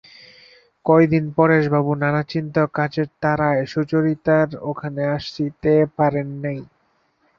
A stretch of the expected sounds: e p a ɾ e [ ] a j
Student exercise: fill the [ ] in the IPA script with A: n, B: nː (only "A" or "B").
B